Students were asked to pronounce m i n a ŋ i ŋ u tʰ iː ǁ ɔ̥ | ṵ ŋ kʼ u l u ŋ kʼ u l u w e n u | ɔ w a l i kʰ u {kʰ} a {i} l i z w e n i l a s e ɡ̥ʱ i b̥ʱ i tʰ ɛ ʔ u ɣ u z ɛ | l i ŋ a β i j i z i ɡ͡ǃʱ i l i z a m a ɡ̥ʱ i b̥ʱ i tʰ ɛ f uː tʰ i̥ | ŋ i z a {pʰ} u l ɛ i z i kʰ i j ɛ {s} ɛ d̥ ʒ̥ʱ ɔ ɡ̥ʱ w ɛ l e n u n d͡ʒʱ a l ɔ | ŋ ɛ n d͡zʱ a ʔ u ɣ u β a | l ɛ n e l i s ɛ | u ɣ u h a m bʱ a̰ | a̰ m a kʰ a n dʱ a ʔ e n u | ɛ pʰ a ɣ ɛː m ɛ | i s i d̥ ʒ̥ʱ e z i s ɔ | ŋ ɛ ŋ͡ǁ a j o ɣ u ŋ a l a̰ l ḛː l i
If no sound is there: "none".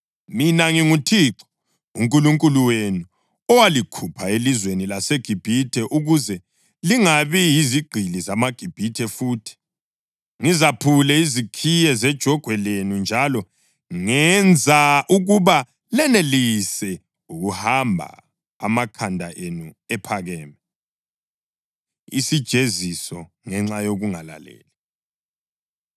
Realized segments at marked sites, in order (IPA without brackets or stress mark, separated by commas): pʰ, e, pʰ, z